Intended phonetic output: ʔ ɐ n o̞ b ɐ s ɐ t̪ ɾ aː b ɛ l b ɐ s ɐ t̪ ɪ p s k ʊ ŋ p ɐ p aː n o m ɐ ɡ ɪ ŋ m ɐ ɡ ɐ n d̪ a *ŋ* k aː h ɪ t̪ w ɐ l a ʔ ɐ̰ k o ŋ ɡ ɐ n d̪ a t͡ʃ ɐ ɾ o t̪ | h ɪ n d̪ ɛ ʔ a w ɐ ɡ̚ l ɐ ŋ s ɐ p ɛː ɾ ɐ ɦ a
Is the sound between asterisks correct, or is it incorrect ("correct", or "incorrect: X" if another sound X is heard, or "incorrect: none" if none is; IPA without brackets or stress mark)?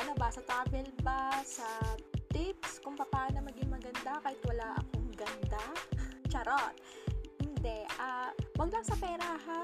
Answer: incorrect: none